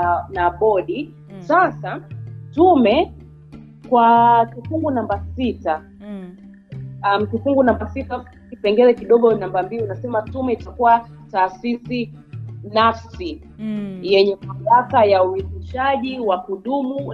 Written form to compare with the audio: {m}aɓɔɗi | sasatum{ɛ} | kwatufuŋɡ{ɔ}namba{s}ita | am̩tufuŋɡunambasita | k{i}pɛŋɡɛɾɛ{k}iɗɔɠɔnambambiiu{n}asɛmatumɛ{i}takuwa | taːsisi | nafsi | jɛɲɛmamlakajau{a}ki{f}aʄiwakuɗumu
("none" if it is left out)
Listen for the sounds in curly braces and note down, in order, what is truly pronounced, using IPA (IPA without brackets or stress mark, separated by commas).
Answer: n, ɛ, u, s, i, k, n, i, i, ʃ